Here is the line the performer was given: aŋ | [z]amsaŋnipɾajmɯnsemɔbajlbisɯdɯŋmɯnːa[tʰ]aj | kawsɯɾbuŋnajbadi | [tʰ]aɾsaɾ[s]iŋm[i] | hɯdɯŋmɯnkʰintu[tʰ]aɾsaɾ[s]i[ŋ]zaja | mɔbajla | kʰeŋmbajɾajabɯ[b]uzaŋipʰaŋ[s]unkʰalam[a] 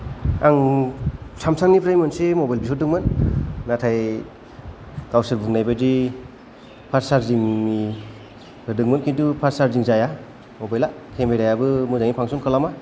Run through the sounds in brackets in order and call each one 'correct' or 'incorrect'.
incorrect: s, correct, incorrect: pʰ, incorrect: z, correct, incorrect: pʰ, incorrect: z, correct, incorrect: m, correct, correct

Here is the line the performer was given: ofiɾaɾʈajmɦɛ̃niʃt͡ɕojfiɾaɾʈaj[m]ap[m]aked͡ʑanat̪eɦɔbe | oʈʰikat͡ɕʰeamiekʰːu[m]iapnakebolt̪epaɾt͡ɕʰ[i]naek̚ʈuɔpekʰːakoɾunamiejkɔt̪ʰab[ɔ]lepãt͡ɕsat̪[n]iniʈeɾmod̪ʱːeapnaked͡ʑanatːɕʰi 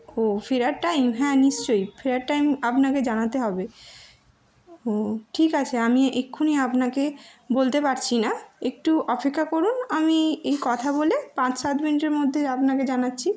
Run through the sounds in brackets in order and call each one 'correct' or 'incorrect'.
correct, incorrect: n, incorrect: n, correct, incorrect: o, incorrect: m

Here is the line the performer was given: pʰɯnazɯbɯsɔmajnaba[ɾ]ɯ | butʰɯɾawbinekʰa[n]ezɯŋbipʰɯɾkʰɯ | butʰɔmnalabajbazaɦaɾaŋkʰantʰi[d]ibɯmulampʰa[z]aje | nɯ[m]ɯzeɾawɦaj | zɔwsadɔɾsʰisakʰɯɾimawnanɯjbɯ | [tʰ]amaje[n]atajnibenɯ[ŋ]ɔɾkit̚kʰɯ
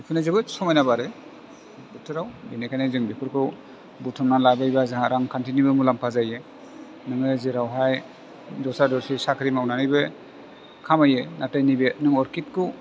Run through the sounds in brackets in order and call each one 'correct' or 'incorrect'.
correct, correct, incorrect: n, correct, incorrect: ŋ, incorrect: kʰ, correct, correct

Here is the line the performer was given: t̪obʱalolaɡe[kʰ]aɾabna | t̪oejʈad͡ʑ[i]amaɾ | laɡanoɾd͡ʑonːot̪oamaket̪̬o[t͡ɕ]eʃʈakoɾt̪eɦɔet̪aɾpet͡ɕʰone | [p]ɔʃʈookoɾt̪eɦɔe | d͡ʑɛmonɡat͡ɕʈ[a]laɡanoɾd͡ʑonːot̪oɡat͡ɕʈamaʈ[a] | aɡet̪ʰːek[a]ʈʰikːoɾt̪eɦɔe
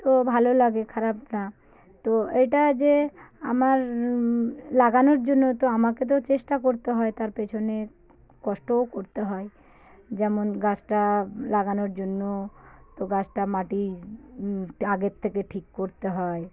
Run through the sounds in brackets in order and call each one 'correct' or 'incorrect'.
correct, incorrect: e, correct, incorrect: k, correct, incorrect: i, incorrect: e

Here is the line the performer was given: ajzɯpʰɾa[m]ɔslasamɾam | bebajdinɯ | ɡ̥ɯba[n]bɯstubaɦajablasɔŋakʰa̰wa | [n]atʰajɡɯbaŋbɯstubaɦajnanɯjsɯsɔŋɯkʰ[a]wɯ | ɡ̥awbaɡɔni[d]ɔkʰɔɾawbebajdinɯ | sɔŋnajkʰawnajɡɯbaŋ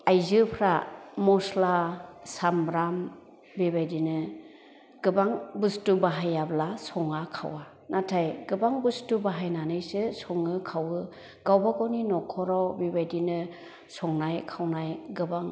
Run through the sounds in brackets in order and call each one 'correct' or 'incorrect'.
correct, incorrect: ŋ, correct, correct, incorrect: n

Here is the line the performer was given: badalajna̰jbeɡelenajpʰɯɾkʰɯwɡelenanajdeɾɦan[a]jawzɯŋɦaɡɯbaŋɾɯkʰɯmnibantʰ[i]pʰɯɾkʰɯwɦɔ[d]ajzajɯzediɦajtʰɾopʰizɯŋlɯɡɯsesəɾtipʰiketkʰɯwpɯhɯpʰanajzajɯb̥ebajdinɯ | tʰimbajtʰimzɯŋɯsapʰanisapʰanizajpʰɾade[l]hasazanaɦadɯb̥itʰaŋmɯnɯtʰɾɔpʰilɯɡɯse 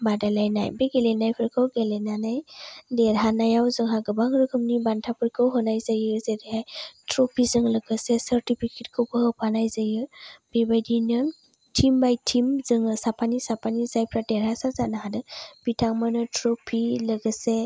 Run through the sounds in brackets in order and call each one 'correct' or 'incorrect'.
correct, incorrect: a, incorrect: n, incorrect: ɾ

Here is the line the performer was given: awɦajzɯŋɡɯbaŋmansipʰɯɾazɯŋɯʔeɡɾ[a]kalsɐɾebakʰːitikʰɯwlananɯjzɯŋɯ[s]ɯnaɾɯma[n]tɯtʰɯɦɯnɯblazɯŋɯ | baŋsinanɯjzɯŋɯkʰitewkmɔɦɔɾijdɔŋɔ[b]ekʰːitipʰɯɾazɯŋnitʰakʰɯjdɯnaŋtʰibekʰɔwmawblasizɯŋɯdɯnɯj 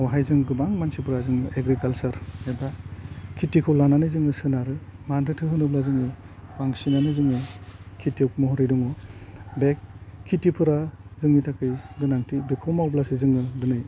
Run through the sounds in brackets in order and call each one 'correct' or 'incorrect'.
incorrect: i, correct, correct, correct

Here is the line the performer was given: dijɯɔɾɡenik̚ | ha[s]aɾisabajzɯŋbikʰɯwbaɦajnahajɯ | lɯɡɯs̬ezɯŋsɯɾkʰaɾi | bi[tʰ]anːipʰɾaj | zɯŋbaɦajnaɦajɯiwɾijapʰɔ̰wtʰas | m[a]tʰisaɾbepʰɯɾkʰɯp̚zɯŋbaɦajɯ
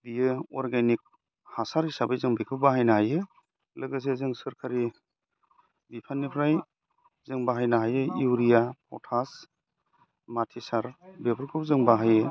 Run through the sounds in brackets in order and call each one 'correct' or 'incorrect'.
correct, incorrect: pʰ, correct

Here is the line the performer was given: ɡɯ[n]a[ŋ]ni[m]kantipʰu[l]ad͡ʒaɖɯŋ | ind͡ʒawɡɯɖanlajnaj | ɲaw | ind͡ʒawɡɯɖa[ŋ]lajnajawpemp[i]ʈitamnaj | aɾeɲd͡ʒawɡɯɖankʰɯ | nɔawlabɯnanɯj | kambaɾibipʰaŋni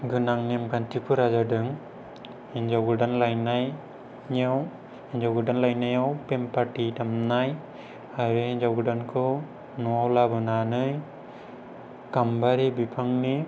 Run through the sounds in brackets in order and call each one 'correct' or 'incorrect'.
correct, correct, correct, incorrect: ɾ, incorrect: n, incorrect: a

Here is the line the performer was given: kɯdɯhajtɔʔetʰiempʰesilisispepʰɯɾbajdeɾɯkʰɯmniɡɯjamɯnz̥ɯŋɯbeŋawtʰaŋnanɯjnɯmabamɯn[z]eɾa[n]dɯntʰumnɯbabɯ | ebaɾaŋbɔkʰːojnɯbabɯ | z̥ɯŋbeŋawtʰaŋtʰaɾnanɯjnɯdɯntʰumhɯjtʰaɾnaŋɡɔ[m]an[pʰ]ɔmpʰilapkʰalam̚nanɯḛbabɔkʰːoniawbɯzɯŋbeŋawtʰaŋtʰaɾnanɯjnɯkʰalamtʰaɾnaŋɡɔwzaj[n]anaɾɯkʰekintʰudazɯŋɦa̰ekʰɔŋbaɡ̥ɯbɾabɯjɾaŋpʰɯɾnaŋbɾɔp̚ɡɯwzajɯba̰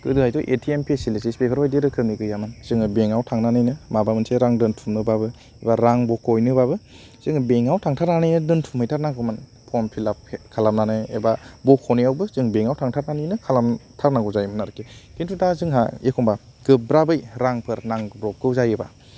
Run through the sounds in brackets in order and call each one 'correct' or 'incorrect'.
incorrect: s, incorrect: ŋ, correct, correct, incorrect: m

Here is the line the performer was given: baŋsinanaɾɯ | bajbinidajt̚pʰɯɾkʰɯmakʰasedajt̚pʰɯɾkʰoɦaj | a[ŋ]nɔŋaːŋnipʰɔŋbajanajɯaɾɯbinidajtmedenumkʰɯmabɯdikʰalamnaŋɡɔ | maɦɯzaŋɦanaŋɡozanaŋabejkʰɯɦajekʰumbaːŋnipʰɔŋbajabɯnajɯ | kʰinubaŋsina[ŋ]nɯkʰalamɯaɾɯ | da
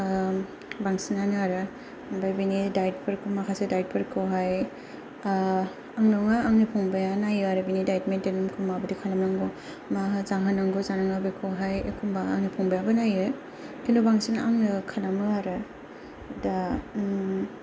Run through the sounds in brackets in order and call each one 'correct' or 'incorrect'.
correct, correct

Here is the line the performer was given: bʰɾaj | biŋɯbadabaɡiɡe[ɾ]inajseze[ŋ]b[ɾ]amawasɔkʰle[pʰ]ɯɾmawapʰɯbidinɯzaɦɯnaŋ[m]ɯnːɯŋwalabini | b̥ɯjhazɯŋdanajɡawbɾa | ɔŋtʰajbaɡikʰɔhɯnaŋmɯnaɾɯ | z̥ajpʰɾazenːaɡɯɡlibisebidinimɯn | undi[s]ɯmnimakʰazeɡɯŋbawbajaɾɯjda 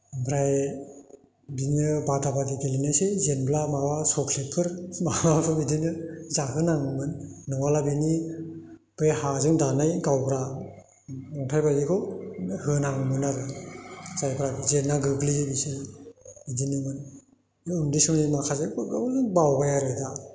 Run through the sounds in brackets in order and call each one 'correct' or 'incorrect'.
incorrect: l, incorrect: n, incorrect: l, correct, correct, correct

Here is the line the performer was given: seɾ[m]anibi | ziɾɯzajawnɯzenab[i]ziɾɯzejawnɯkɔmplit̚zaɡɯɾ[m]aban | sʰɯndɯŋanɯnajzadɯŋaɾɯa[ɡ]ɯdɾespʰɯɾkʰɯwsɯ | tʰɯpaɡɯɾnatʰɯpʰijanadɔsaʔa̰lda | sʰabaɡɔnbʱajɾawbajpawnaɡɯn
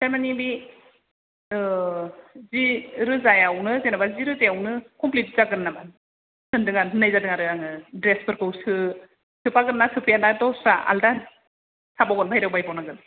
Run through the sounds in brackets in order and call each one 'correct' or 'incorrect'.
correct, incorrect: a, incorrect: n, incorrect: ŋ

